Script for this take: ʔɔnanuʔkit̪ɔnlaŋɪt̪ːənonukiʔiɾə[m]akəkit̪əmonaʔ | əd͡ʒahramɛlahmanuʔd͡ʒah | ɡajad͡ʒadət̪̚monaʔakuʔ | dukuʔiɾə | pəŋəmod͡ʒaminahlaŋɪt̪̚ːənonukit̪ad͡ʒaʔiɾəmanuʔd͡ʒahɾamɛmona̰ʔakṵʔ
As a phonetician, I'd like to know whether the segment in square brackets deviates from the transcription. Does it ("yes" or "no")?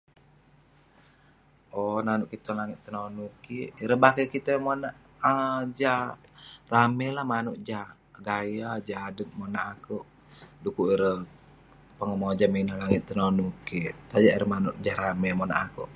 yes